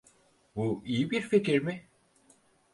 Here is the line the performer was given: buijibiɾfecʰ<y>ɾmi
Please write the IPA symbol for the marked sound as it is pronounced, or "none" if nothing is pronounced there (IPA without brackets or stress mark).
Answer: i